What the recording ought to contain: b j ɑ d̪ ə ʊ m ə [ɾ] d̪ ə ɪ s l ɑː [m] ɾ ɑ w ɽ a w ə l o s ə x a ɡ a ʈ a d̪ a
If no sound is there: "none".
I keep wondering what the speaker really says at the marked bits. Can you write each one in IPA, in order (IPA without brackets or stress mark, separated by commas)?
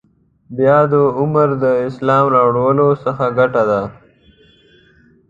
ɾ, m